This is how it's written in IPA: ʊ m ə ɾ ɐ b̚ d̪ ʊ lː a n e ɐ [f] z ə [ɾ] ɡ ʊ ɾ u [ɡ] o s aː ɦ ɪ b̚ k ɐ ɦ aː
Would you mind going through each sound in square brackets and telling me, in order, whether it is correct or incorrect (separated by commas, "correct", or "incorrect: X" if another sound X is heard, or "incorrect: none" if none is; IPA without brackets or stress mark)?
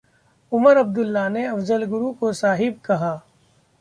correct, incorrect: l, incorrect: k